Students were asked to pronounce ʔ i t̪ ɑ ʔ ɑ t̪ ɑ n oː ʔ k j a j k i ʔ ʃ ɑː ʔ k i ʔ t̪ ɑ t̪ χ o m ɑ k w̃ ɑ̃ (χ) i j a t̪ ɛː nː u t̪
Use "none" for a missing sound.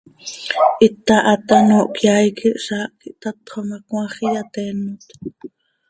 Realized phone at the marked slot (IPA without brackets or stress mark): χ